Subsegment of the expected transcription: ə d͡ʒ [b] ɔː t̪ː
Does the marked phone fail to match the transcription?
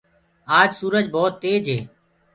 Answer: no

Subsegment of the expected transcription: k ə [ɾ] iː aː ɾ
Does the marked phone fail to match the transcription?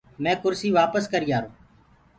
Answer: no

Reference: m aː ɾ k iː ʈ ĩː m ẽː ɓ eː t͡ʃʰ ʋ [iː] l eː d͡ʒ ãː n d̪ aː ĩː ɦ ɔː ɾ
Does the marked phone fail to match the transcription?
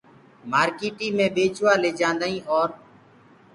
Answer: yes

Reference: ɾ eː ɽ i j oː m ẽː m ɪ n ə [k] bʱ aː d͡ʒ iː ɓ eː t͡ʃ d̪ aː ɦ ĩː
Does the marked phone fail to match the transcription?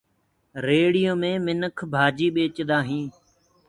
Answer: yes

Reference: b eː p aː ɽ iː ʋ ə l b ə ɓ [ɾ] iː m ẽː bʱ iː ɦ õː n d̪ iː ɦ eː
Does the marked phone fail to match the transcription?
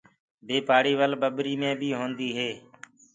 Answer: no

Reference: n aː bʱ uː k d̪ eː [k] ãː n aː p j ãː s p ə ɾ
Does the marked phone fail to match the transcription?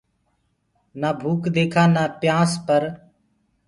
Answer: yes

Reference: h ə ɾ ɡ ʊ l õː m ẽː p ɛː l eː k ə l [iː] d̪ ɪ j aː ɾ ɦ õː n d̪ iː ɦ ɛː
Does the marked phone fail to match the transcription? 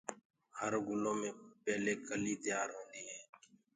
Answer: no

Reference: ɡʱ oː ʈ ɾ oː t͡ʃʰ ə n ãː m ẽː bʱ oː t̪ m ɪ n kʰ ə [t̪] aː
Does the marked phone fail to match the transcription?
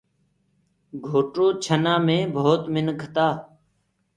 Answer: no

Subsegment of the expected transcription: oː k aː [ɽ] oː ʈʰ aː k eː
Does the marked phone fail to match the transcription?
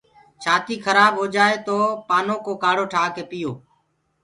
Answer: no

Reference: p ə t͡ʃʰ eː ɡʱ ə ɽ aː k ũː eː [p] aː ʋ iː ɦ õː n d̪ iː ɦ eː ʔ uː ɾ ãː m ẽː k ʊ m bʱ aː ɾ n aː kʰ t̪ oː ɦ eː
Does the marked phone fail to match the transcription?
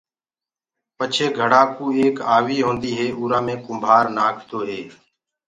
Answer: yes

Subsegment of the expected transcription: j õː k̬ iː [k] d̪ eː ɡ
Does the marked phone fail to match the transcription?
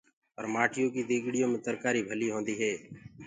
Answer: yes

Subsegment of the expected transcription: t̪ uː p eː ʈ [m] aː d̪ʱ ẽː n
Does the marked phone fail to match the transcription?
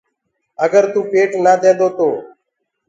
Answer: yes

